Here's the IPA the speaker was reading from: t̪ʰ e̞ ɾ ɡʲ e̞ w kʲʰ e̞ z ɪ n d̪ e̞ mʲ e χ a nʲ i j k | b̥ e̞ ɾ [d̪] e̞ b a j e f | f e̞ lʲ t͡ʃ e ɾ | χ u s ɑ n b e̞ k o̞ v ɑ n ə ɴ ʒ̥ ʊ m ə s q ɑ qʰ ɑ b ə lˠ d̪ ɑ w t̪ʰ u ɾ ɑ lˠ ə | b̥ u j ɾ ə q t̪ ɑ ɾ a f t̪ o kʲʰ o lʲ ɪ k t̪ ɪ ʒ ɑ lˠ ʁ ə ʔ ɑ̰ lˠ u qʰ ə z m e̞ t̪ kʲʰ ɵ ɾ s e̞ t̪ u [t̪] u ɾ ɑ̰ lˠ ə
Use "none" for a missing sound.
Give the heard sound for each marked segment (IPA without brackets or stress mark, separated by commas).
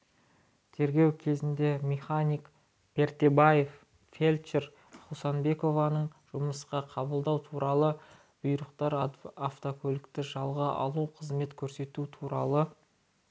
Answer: t̪, t̪ʰ